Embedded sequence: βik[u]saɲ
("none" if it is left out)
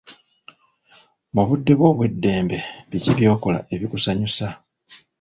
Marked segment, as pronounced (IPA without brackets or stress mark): u